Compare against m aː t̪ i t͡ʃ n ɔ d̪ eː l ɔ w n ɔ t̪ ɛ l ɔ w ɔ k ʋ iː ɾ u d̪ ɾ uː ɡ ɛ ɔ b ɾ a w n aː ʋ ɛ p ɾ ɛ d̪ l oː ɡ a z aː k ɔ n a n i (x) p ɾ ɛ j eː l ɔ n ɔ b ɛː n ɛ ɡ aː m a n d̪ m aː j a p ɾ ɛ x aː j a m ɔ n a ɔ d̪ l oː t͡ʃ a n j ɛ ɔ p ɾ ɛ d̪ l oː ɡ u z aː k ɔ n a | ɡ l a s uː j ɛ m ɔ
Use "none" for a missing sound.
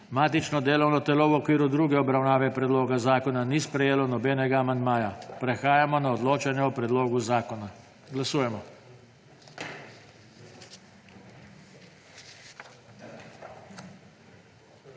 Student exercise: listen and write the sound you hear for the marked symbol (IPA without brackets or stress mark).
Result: s